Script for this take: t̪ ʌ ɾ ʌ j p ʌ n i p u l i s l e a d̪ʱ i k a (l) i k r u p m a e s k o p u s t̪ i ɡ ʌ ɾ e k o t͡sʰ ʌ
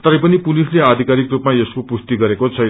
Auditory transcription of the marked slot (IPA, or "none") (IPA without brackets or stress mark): ɾ